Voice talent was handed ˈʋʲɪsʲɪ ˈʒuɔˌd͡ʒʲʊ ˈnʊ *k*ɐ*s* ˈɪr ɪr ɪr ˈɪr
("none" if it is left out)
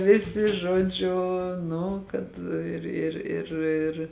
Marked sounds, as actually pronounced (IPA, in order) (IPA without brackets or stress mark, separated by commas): k, t